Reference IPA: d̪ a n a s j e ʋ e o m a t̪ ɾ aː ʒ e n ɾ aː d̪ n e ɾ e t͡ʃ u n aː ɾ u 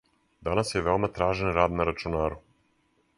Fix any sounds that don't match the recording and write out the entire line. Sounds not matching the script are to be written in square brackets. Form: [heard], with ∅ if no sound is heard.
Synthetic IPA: d̪ a n a s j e ʋ e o m a t̪ ɾ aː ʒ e n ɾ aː d̪ n [a] ɾ [a] t͡ʃ u n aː ɾ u